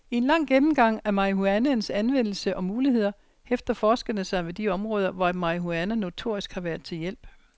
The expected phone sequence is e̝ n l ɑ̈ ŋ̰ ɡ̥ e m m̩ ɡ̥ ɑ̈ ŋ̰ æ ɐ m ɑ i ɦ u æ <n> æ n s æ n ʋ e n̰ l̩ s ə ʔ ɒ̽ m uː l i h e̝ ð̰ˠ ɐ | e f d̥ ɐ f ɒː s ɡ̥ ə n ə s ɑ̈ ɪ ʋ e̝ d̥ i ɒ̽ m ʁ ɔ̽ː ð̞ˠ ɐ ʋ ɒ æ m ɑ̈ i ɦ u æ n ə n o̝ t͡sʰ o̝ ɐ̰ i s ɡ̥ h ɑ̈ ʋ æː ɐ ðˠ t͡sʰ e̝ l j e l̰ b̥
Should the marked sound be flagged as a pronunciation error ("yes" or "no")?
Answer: no